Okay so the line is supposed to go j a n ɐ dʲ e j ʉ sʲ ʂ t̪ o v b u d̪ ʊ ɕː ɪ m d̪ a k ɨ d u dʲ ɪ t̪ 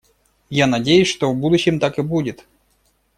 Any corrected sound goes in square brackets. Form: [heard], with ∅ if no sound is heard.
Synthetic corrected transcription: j a n ɐ dʲ e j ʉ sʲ ʂ t̪ o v b u d̪ ʊ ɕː ɪ m [t̪] a k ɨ [b] u dʲ ɪ t̪